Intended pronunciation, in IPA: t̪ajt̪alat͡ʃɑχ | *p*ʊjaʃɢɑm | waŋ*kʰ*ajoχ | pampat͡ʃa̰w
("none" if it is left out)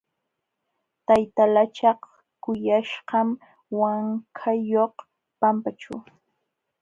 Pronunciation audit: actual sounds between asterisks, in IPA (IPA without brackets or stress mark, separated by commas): k, kʰ